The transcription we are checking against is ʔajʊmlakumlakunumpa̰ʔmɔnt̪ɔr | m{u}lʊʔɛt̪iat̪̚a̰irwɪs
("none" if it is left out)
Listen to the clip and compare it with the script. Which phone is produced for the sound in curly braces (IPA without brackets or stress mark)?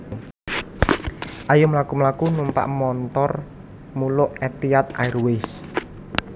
u